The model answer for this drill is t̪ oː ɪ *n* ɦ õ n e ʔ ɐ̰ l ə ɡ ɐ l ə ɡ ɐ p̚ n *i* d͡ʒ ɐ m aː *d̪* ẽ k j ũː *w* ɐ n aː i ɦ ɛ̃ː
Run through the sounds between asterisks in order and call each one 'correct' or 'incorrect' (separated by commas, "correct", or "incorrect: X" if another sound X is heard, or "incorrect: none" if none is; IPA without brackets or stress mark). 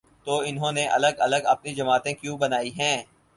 correct, correct, incorrect: t̪, incorrect: b